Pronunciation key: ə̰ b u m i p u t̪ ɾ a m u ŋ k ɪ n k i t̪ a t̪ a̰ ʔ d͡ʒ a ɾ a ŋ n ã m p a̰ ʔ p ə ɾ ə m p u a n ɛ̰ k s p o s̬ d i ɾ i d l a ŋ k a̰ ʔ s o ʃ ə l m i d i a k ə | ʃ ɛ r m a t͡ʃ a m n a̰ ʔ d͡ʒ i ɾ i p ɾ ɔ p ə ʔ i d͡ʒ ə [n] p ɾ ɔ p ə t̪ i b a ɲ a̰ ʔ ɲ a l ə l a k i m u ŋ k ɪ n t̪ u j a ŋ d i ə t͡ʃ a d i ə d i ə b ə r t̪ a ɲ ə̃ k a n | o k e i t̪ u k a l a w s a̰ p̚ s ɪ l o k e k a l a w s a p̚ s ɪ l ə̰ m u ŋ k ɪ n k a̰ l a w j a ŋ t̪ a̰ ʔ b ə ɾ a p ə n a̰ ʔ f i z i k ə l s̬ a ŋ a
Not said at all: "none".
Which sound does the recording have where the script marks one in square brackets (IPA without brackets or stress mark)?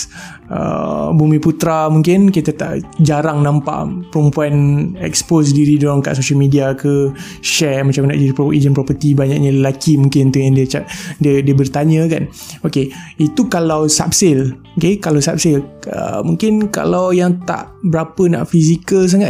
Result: n